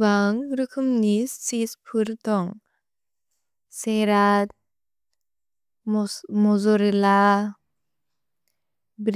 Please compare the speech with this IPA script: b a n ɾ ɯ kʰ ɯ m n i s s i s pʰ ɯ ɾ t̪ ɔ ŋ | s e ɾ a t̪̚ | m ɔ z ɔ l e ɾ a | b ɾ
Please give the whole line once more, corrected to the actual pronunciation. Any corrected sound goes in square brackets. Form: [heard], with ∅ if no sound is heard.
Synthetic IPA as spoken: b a [ŋ] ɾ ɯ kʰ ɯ m n i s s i s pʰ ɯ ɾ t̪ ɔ ŋ | s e ɾ a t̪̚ | m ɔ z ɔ [ɾ] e [l] a | b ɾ